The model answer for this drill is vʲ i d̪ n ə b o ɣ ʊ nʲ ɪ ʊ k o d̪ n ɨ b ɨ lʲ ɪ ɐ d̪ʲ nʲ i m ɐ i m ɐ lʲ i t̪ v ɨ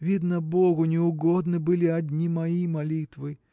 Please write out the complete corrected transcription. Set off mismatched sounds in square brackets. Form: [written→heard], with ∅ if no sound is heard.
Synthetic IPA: vʲ i d̪ n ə b o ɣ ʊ nʲ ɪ ʊ [k→ɡ] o d̪ n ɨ b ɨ lʲ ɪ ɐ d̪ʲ nʲ i m ɐ i m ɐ lʲ i t̪ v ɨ